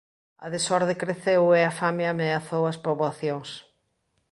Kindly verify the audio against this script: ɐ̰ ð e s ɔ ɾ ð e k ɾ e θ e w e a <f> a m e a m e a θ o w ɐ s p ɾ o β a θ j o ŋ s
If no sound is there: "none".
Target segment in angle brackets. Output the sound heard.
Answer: f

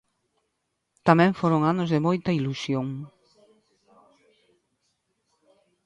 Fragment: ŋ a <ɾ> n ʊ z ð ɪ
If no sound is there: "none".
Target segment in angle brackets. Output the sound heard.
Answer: none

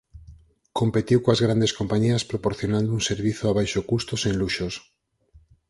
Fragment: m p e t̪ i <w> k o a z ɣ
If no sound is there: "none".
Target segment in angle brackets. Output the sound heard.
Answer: w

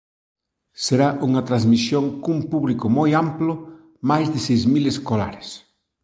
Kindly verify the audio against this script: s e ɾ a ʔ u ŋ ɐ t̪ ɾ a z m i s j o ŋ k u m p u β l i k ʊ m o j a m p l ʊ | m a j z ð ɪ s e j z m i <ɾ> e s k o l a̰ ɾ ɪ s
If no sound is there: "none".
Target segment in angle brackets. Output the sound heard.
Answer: l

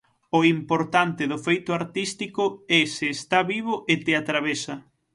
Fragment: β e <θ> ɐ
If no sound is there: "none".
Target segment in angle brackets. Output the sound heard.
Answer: s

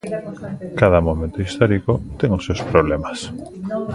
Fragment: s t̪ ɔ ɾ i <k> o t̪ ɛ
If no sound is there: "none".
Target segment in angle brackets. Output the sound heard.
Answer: k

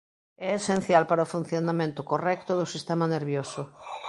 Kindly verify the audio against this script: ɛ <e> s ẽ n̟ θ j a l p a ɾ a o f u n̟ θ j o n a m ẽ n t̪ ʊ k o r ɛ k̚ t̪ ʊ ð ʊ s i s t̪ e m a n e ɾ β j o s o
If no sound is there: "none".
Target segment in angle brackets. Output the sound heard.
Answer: e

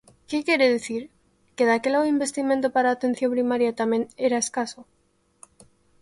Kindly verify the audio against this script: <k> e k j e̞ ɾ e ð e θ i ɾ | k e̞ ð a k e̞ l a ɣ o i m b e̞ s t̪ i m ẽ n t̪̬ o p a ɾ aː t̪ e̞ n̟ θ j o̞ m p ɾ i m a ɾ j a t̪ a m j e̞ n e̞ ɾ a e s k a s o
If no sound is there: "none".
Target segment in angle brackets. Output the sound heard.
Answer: k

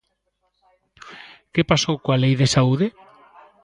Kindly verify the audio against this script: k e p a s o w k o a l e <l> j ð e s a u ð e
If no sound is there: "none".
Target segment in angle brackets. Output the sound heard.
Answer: none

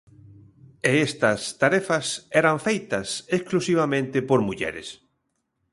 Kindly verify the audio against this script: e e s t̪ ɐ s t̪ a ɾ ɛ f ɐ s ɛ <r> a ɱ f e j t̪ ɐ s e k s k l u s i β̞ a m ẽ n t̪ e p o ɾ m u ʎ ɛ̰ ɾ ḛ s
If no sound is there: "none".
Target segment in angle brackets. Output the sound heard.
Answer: ɾ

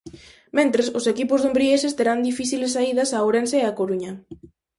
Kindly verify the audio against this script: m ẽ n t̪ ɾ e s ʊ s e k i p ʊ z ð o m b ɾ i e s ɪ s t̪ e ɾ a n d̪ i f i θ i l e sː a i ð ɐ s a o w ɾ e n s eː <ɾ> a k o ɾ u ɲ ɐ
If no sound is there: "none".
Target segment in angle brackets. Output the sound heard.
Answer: none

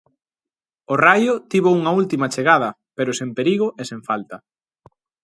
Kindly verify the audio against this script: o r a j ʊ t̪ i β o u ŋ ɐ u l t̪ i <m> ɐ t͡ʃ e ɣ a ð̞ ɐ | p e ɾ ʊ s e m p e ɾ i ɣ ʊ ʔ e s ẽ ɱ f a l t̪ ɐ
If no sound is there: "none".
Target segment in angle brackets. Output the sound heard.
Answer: m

